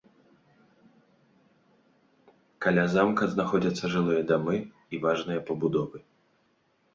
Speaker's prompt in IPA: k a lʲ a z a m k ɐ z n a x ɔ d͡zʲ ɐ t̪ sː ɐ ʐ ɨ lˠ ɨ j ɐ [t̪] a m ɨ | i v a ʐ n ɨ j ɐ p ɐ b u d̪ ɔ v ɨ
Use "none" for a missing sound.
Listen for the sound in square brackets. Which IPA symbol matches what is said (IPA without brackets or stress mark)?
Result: d̪